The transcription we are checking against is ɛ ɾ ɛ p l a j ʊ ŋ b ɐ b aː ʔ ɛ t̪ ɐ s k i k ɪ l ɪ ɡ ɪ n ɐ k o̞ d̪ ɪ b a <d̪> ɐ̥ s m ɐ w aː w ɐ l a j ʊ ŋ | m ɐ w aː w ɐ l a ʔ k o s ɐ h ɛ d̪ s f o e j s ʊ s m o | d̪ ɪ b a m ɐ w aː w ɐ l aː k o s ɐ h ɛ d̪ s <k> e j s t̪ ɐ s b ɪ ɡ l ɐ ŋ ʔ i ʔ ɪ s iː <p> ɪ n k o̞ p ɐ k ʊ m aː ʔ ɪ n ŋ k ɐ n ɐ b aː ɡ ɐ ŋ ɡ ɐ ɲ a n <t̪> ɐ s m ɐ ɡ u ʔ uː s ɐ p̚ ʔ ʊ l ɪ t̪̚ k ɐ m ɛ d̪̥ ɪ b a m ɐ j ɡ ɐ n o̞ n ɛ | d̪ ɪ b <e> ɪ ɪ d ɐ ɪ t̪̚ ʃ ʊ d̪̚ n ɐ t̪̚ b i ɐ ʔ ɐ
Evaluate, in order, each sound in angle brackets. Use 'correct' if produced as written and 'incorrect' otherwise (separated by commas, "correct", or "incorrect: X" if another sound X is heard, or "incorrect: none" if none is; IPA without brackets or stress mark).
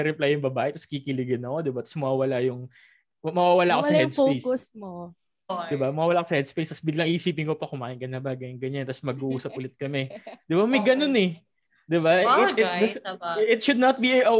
incorrect: t̪, incorrect: p, correct, correct, incorrect: a